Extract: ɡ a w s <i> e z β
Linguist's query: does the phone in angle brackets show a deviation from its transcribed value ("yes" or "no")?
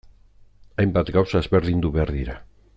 yes